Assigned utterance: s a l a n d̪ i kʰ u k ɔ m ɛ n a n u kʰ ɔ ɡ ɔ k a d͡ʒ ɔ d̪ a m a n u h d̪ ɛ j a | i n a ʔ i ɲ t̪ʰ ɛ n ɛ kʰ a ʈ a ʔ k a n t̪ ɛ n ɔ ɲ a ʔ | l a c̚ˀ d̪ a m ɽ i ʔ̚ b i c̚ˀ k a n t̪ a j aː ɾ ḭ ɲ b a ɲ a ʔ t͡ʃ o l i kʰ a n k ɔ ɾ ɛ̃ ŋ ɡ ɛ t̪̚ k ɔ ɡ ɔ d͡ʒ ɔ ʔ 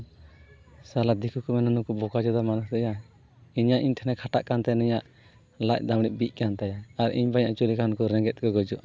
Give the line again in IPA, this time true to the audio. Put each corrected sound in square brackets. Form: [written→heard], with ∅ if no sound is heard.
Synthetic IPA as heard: s a l a [n→∅] d̪ i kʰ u k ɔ m ɛ n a n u [kʰ→k] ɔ [ɡ→b] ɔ k a d͡ʒ ɔ d̪ a m a n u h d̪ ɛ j a | i [n→ɲ] a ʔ i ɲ t̪ʰ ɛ n ɛ kʰ a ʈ a ʔ k a n t̪ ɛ n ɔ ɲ a ʔ | l a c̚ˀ d̪ a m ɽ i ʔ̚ b i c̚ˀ k a n t̪ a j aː ɾ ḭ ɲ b a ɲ a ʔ t͡ʃ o l i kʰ a n k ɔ ɾ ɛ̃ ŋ ɡ ɛ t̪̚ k ɔ ɡ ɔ d͡ʒ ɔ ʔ